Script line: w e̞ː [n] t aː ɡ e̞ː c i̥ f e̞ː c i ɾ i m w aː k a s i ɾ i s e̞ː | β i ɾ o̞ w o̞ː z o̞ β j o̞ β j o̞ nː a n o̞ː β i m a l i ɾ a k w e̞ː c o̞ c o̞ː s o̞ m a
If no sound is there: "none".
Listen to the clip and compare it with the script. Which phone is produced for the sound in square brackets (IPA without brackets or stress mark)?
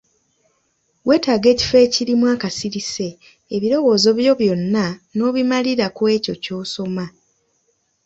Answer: none